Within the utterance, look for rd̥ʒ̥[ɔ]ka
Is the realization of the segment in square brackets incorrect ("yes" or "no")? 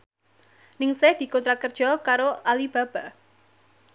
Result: no